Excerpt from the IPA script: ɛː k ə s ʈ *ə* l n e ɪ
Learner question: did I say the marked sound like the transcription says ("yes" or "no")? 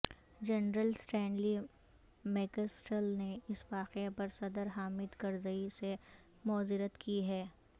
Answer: yes